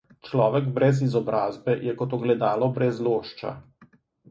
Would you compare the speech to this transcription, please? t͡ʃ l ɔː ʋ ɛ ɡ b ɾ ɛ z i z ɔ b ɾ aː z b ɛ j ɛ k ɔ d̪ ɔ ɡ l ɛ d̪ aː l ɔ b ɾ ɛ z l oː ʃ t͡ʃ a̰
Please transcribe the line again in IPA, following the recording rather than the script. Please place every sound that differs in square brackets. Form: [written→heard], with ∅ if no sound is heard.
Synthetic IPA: t͡ʃ l ɔː ʋ ɛ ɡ b ɾ ɛ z i z ɔ b ɾ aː z b ɛ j ɛ k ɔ [d̪→t̪] ɔ ɡ l ɛ d̪ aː l ɔ b ɾ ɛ z l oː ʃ t͡ʃ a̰